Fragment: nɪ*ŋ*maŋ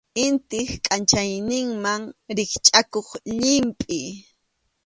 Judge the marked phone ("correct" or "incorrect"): correct